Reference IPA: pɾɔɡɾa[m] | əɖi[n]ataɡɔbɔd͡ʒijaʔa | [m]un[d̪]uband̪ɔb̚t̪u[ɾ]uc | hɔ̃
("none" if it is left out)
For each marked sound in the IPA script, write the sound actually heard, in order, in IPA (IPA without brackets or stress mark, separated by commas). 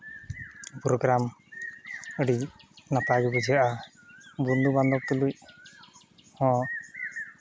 m, n, b, d̪, l